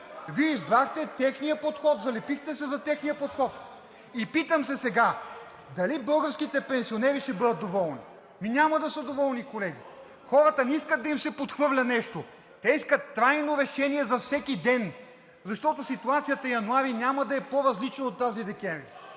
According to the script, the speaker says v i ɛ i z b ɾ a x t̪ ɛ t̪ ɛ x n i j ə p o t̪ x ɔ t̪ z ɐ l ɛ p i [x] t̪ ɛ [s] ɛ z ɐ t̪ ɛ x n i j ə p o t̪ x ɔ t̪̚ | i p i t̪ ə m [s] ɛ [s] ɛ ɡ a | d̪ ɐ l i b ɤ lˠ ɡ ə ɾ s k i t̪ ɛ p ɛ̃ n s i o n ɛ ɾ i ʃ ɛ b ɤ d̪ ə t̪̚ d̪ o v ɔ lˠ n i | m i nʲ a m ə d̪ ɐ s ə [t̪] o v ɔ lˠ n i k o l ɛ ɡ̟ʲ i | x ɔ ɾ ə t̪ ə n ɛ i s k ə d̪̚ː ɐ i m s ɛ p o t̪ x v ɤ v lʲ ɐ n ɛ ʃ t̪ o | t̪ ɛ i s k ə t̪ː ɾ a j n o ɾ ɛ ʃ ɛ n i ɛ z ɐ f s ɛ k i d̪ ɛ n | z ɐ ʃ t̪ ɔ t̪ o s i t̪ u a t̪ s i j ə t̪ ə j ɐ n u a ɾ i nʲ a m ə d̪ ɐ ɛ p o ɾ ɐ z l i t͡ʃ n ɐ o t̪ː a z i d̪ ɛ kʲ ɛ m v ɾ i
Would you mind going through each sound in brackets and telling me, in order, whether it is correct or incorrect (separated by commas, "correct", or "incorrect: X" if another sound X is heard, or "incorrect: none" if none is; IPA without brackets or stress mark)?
correct, correct, correct, correct, incorrect: d̪